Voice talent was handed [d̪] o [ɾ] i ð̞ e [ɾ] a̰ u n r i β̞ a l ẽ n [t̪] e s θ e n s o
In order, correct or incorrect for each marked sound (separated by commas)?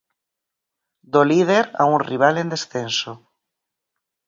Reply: correct, incorrect, correct, incorrect